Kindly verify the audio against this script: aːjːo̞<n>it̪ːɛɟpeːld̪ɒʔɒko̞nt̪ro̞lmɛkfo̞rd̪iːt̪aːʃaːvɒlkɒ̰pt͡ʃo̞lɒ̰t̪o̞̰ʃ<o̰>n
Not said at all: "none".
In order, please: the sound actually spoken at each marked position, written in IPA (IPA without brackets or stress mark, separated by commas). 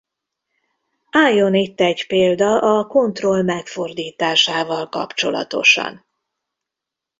n, ɒ̰